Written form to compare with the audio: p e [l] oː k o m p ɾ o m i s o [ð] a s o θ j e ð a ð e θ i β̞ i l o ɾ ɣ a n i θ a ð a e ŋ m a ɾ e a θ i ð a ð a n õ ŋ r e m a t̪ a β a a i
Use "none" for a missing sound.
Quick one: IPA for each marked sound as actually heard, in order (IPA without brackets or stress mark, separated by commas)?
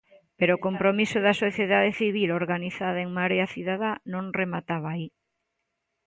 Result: ɾ, ð